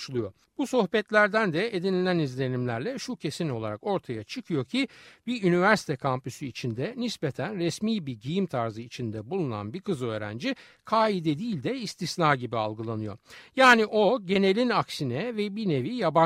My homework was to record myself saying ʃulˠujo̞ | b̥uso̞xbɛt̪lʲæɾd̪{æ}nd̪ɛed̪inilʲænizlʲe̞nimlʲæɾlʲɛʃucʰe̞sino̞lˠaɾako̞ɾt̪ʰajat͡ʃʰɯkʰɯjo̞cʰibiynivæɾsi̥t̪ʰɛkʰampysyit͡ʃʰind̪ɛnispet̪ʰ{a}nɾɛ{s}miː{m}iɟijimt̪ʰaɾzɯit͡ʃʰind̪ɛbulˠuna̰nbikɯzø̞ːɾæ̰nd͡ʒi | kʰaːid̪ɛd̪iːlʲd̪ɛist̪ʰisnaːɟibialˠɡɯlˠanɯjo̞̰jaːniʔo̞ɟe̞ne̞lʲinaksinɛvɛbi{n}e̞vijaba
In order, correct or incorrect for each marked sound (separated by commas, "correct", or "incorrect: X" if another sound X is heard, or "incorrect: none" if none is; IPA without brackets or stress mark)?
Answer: correct, incorrect: æ, correct, incorrect: b, correct